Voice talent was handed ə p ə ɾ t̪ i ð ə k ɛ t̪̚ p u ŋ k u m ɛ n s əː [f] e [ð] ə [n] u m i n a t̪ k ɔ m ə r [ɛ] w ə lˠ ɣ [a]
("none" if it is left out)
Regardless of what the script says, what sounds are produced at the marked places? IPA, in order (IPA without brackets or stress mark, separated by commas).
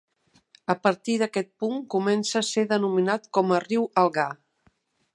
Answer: s, ð, n, i, a